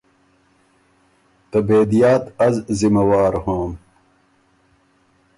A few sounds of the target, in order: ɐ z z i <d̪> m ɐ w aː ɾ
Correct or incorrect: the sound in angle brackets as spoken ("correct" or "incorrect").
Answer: incorrect